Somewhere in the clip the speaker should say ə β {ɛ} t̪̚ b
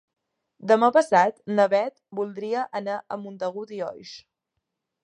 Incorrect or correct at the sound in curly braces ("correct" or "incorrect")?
correct